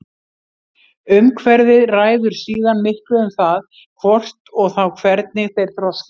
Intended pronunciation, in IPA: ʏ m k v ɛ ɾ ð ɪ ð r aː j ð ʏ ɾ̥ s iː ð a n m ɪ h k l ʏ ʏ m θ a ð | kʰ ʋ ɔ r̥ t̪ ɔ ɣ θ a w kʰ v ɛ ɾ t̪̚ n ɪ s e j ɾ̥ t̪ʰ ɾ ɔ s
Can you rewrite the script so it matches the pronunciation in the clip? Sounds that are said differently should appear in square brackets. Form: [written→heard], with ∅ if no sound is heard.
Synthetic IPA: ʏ m [k→kʰ] v ɛ ɾ ð ɪ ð r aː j ð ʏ ɾ̥ s iː ð a n m ɪ h k l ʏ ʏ m θ a ð | kʰ [ʋ→v] ɔ r̥ t̪ ɔ ɣ θ a w kʰ v ɛ ɾ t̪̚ n ɪ [s→θ] e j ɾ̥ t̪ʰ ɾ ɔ s